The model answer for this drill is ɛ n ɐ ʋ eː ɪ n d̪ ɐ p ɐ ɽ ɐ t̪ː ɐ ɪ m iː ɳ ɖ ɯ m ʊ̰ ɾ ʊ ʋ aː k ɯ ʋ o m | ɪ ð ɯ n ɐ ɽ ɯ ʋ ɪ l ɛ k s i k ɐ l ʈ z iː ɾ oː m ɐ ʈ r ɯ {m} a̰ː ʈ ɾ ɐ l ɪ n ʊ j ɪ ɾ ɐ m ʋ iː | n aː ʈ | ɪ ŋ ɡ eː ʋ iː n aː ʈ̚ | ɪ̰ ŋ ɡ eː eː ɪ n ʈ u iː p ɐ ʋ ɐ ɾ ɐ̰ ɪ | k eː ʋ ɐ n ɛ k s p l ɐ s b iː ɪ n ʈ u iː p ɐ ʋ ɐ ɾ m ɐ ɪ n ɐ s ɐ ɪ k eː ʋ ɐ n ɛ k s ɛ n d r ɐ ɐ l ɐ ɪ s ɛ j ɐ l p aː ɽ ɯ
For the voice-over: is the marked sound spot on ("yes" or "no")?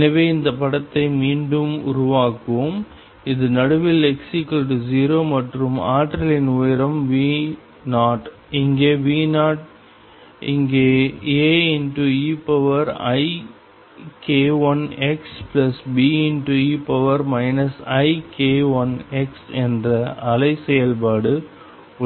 yes